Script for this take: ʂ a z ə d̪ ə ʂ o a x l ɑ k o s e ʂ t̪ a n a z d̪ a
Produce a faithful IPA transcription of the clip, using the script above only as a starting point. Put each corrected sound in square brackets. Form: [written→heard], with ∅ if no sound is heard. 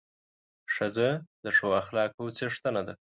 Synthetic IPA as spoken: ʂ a z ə d̪ ə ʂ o a x l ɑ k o [s→t͡s] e ʂ t̪ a n a [z→∅] d̪ a